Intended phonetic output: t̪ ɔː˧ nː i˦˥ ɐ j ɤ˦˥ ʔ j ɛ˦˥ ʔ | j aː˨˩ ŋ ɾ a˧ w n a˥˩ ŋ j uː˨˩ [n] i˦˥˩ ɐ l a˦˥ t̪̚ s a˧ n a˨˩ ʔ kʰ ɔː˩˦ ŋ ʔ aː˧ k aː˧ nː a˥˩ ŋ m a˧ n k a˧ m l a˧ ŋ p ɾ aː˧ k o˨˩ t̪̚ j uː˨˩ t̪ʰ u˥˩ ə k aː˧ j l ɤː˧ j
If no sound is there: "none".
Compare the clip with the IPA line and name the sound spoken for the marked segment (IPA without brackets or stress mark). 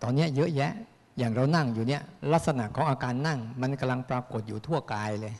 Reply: n